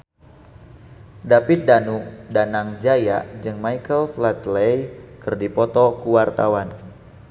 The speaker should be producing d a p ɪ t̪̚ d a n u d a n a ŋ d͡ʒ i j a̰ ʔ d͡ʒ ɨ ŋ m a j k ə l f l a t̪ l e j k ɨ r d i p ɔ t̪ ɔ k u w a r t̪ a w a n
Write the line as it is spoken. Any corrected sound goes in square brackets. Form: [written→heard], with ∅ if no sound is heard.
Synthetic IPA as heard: d a p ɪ t̪̚ d a n u d a n a ŋ d͡ʒ [i→a] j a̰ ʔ d͡ʒ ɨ ŋ m a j k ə l f l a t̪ l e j k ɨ r d i p ɔ t̪ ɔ k u w a r t̪ a w a n

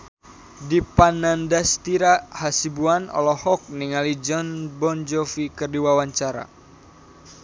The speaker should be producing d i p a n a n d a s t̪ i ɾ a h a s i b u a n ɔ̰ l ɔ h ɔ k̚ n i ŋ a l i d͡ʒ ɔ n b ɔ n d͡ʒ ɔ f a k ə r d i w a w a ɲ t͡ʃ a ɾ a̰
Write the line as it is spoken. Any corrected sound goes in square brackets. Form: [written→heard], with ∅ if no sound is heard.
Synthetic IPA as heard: d i p a n a n d a s t̪ i ɾ a h a s i b u a n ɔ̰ l ɔ h ɔ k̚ n i ŋ a l i d͡ʒ ɔ n b ɔ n d͡ʒ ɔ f [a→i] k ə r d i w a w a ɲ t͡ʃ a ɾ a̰

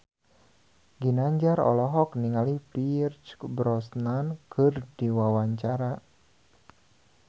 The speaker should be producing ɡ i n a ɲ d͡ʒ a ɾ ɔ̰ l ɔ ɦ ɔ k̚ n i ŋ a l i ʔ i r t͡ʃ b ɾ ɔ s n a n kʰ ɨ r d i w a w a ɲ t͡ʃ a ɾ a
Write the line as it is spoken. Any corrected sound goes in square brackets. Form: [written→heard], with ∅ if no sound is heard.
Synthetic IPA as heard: ɡ i n a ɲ d͡ʒ a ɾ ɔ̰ l ɔ ɦ ɔ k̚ n i ŋ a l i [ʔ→p] i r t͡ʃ b ɾ ɔ s n a n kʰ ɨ r d i w a w a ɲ t͡ʃ a ɾ a

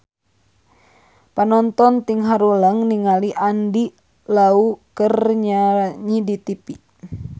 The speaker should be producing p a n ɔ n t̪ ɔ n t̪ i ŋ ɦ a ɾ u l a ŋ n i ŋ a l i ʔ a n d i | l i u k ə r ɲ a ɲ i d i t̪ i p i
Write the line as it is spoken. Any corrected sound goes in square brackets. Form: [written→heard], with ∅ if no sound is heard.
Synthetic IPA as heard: p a n ɔ n t̪ ɔ n t̪ i ŋ ɦ a ɾ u l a ŋ n i ŋ a l i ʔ a n d i | l [i→a] u k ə r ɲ a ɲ i d i t̪ i p i

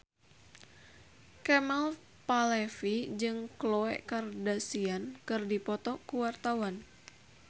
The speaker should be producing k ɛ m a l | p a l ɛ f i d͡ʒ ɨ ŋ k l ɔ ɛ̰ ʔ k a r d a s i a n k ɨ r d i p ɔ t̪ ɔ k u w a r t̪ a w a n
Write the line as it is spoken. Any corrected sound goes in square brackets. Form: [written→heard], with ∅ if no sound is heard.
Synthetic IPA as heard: k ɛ m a l | p a l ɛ f i d͡ʒ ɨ ŋ k l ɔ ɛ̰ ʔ k a r d a s i a n k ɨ r d i p ɔ t̪ ɔ k u w a r t̪ a w a n

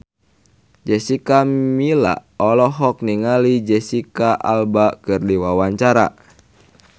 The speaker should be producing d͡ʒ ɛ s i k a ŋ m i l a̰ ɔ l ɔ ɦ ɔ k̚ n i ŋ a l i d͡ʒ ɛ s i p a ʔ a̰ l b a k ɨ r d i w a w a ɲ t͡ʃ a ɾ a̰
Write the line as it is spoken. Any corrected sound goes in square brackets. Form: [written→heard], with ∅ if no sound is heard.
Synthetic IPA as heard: d͡ʒ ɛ s i k a [ŋ→∅] m i l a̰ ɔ l ɔ ɦ ɔ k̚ n i ŋ a l i d͡ʒ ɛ s i [p→k] a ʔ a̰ l b a k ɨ r d i w a w a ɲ t͡ʃ a ɾ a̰

